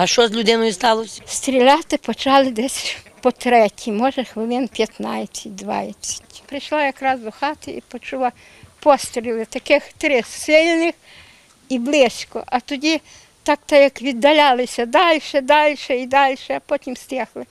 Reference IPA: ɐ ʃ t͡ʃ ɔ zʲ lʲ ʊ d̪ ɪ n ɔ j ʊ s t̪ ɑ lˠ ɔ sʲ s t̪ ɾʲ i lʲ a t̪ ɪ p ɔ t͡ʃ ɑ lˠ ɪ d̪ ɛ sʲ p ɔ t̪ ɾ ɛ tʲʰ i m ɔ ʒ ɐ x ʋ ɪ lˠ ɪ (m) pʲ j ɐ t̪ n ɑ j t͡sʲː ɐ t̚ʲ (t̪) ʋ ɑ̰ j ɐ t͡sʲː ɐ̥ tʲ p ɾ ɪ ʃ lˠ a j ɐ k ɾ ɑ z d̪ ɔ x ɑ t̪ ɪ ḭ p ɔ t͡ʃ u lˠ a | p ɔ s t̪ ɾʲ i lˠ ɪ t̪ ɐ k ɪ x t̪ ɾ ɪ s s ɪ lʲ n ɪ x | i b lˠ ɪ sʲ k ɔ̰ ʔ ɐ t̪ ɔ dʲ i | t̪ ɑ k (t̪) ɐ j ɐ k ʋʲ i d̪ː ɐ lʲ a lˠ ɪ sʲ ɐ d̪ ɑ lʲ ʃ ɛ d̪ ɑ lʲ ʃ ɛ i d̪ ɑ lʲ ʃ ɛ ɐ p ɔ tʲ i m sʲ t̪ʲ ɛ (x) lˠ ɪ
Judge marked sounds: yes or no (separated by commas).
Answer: no, no, yes, yes